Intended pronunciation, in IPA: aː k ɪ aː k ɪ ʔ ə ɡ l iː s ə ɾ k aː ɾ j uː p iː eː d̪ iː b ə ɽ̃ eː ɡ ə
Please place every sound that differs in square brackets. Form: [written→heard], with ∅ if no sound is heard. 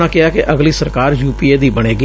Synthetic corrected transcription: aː k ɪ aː k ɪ ʔ ə ɡ l iː s ə ɾ k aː ɾ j uː p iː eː d̪ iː b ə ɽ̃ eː ɡ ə